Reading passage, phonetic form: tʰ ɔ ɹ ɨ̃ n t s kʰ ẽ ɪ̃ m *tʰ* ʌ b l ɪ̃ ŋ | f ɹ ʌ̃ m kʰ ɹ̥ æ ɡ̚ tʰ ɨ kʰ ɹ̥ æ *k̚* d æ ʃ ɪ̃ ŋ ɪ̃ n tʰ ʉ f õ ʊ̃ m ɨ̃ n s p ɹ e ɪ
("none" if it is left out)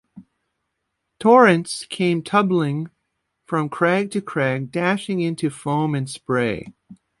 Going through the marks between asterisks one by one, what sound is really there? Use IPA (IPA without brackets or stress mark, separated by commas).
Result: tʰ, ɡ̚